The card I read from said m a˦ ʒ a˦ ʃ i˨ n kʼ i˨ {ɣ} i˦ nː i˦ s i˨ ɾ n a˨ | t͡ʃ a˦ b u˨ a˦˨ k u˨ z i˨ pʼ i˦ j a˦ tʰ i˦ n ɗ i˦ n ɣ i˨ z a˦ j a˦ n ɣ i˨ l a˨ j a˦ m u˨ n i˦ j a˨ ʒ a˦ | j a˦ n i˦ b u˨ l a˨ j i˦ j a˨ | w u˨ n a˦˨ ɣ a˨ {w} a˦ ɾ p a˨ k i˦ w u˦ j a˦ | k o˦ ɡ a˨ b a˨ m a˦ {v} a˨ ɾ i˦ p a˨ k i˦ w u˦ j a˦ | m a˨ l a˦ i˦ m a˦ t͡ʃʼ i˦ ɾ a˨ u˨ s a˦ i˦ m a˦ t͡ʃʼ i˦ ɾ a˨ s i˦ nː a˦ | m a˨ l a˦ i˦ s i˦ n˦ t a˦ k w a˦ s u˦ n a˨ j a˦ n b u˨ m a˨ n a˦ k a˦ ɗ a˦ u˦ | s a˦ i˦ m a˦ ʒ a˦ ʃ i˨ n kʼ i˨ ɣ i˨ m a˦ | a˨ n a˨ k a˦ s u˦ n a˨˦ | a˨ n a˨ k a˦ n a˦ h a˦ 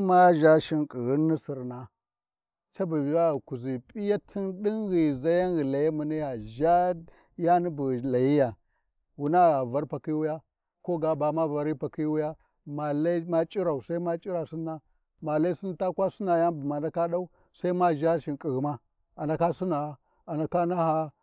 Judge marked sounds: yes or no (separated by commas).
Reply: yes, no, yes